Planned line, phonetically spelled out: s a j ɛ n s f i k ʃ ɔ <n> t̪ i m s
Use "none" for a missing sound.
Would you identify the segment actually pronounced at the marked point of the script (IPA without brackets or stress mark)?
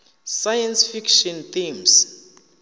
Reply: n